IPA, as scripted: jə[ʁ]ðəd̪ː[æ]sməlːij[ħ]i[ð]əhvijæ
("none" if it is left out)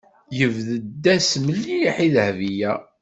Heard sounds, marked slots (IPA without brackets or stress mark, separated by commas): v, æ, ħ, ð